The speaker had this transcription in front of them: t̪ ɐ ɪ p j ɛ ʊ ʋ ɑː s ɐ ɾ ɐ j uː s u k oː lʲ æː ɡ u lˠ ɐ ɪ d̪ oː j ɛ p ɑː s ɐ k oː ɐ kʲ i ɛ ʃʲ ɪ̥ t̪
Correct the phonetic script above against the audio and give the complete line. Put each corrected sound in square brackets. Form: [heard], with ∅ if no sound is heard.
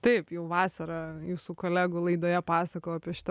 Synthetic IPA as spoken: t̪ ɐ ɪ p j ɛ ʊ ʋ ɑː s ɐ ɾ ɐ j uː s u k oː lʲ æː ɡ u lˠ ɐ ɪ d̪ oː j ɛ p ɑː s ɐ k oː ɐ [pʲ] i ɛ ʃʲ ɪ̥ t̪

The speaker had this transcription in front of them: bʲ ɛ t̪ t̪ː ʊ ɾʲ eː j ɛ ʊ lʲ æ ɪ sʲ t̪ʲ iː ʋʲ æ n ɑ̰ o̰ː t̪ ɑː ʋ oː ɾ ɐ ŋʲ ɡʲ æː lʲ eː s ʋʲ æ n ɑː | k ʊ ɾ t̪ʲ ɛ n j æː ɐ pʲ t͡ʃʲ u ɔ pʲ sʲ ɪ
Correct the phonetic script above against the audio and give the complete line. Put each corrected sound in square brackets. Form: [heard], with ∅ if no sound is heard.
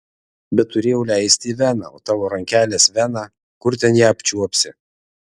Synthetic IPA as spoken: bʲ ɛ t̪ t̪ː ʊ ɾʲ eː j ɛ ʊ lʲ æ ɪ sʲ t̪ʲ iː ʋʲ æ n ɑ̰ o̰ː t̪ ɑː ʋ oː ɾ ɐ ŋʲ [kʲ] æː lʲ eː s ʋʲ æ n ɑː | k ʊ ɾ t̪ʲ ɛ n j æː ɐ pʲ t͡ʃʲ u ɔ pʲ sʲ ɪ

